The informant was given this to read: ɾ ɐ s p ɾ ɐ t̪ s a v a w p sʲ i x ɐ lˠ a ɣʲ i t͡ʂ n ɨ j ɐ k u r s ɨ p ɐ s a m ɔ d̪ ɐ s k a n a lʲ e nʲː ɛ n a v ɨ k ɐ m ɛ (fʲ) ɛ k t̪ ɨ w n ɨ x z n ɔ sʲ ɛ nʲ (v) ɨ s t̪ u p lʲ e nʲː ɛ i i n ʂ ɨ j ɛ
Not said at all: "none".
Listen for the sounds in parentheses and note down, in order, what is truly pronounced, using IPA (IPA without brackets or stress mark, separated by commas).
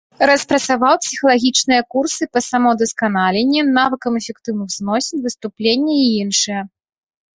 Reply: fʲ, v